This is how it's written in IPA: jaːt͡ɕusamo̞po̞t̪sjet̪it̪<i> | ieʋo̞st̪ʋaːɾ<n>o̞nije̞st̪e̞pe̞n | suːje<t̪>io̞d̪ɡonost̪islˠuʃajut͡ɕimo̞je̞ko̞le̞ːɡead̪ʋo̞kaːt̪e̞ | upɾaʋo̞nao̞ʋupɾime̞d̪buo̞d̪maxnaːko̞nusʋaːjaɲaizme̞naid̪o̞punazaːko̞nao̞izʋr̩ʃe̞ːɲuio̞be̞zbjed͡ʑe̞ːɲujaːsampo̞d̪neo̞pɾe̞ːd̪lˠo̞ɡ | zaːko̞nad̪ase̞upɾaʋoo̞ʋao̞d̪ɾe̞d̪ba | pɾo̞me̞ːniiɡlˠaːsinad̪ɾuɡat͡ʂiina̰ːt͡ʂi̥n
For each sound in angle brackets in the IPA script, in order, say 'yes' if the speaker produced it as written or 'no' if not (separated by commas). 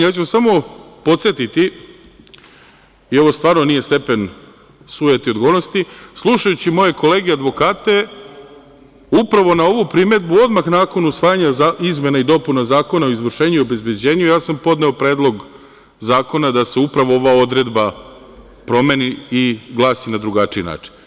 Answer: yes, yes, yes